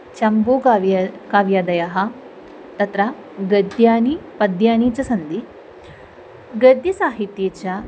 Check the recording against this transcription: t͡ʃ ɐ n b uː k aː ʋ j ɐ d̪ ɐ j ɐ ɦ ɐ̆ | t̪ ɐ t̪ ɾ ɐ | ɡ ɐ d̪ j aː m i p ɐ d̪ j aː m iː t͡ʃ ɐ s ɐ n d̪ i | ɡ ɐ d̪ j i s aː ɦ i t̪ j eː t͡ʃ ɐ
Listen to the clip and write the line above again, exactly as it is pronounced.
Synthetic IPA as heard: t͡ʃ ɐ m b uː k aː ʋ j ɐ d̪ ɐ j ɐ ɦ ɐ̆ | t̪ ɐ t̪ ɾ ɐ | ɡ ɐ d̪ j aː n i p ɐ d̪ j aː n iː t͡ʃ ɐ s ɐ n d̪ i | ɡ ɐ d̪ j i s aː ɦ i t̪ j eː t͡ʃ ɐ